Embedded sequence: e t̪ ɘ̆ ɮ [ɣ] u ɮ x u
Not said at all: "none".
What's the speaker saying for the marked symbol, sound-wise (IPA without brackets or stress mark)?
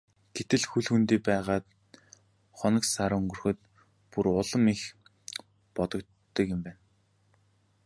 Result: x